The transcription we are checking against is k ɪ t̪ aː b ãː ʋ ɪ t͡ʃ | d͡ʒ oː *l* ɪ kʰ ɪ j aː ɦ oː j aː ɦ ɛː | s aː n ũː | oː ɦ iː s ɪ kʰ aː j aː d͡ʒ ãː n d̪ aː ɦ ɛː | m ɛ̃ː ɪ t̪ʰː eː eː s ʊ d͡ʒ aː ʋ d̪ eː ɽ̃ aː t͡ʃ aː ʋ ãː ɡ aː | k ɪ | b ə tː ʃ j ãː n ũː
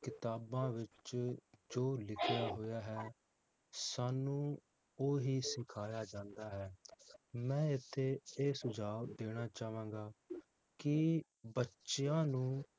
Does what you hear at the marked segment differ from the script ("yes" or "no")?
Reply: no